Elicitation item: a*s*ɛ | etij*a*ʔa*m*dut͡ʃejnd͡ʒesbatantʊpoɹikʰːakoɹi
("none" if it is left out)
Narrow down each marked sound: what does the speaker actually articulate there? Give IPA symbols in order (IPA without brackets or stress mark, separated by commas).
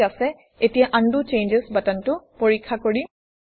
s, a, n